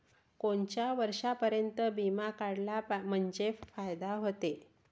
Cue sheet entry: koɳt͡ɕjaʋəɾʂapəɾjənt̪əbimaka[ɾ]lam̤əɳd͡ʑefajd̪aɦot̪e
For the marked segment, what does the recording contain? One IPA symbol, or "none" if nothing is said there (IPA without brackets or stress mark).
ɽ